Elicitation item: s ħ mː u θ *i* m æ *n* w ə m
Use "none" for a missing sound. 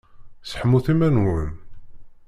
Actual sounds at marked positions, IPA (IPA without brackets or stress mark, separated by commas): i, n